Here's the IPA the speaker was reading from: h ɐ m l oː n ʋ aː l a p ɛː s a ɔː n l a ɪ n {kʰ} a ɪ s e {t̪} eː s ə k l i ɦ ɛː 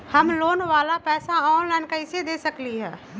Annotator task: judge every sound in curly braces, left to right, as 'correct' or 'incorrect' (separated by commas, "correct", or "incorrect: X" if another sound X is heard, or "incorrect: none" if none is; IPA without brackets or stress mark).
incorrect: k, incorrect: d̪